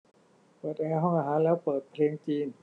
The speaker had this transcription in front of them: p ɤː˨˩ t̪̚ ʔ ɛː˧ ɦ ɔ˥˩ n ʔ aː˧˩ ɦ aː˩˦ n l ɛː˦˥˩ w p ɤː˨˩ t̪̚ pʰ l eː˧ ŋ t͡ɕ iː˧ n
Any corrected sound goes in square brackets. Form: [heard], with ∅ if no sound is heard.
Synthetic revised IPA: p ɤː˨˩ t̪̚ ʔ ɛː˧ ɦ ɔ˥˩ [ŋ] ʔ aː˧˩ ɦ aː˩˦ n l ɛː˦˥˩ w p ɤː˨˩ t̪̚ pʰ l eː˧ ŋ t͡ɕ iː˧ n

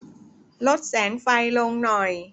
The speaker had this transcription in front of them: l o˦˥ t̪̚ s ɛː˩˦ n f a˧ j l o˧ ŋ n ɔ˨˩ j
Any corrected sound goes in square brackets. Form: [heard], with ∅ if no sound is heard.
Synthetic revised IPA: l o˦˥ t̪̚ s ɛː˩˦ n f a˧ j l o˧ ŋ n ɔ˨˩ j

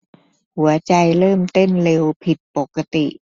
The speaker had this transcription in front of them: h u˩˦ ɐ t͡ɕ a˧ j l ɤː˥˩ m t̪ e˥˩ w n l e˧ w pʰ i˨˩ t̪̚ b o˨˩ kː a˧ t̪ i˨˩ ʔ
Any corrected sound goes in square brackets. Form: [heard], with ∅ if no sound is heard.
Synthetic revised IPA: h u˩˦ ɐ t͡ɕ a˧ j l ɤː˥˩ m t̪ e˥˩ [∅] n l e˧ w pʰ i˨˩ t̪̚ [p] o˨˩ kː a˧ t̪ i˨˩ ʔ

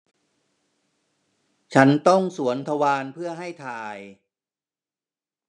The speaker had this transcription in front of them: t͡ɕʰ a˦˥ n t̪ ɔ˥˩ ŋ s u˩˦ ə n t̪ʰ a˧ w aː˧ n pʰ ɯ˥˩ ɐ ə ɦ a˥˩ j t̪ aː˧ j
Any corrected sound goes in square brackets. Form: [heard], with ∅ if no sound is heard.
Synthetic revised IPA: t͡ɕʰ a˦˥ n t̪ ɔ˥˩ ŋ s u˩˦ ə n t̪ʰ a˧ w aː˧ n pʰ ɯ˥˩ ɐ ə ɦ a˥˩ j [t̪ʰ] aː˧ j

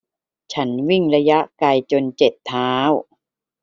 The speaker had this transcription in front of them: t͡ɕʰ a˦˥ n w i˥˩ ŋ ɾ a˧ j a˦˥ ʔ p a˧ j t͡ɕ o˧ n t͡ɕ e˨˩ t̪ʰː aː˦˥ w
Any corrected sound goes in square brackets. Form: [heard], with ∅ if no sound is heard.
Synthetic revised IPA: t͡ɕʰ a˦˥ n w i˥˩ ŋ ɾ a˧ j a˦˥ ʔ [k] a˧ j t͡ɕ o˧ n t͡ɕ e˨˩ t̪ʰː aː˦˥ w

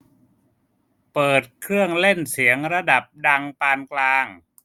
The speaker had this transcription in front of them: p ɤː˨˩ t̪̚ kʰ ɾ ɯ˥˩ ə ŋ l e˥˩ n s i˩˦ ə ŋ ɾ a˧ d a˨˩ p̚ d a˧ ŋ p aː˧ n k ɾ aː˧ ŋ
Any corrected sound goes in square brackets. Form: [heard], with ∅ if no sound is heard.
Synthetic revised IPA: p ɤː˨˩ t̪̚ kʰ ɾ ɯ˥˩ ə ŋ l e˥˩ n s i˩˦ ə ŋ ɾ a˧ d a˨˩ p̚ d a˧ ŋ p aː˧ n k [l] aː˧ ŋ

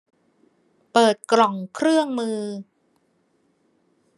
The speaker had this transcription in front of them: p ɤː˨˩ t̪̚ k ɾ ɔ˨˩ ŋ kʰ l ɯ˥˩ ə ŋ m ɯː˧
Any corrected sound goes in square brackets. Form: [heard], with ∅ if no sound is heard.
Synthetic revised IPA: p ɤː˨˩ t̪̚ k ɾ ɔ˨˩ ŋ kʰ [ɾ] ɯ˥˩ ə ŋ m ɯː˧

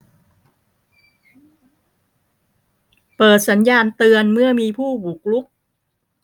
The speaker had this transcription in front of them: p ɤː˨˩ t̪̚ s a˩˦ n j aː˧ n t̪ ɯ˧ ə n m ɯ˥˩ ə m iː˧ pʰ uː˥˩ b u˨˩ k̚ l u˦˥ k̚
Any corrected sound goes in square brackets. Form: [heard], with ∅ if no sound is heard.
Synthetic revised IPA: p ɤː˨˩ t̪̚ s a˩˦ n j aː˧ n t̪ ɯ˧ ə n m ɯ˥˩ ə m iː˧ pʰ uː˥˩ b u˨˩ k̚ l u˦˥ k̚

